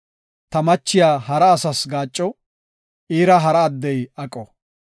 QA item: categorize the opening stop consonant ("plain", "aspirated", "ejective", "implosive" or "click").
plain